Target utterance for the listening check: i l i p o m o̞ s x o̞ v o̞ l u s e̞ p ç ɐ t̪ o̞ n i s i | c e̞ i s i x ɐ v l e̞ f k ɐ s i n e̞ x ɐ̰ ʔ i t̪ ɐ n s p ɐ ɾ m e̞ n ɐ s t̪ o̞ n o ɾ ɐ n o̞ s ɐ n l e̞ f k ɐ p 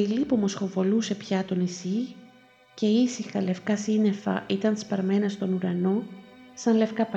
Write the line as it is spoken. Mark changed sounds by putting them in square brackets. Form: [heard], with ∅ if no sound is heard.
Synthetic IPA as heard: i l i p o m o̞ s x o̞ v o̞ l u s e̞ p ç ɐ t̪ o̞ n i s i | c e̞ i s i x ɐ [∅] l e̞ f k ɐ s i n e̞ [f] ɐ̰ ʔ i t̪ ɐ n s p ɐ ɾ m e̞ n ɐ s t̪ o̞ n [u] ɾ ɐ n o̞ s ɐ n l e̞ f k ɐ p